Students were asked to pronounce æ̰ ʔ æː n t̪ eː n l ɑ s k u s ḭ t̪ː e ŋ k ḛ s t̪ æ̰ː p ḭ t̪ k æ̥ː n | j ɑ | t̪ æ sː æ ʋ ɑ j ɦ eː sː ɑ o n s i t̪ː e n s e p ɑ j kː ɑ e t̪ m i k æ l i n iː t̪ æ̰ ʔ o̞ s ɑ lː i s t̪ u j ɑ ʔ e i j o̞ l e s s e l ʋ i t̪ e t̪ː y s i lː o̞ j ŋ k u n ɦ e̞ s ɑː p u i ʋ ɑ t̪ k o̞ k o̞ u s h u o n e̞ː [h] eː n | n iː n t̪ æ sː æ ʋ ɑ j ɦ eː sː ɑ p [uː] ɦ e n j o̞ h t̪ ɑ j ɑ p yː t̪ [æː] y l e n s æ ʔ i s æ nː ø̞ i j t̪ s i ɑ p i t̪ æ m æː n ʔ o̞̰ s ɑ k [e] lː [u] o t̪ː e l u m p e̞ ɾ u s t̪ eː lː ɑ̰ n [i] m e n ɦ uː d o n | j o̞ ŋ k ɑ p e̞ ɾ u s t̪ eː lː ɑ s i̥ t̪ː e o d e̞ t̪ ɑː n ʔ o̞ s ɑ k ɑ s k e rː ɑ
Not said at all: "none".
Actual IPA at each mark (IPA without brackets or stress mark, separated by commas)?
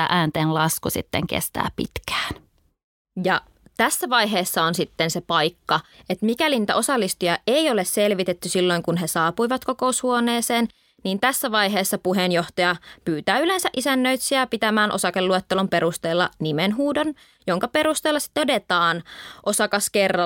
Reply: s, u, æː, e, u, i